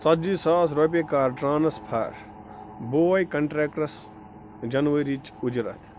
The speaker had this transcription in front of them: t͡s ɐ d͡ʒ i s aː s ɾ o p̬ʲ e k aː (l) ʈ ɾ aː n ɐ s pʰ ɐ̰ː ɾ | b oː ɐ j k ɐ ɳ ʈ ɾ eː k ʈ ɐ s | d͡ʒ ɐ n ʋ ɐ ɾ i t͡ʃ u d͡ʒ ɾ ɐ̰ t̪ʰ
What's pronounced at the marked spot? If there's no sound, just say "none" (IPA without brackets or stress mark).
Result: ɾ